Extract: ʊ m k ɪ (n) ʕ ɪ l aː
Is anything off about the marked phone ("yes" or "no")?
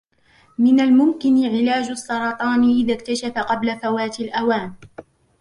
no